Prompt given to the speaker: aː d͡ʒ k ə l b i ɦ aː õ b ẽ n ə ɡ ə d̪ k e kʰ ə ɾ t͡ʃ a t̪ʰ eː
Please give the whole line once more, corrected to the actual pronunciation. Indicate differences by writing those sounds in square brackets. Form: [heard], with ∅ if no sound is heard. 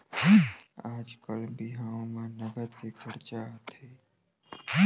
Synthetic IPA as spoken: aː d͡ʒ k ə l b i ɦ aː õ [m] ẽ n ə ɡ ə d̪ k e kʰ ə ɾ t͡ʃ a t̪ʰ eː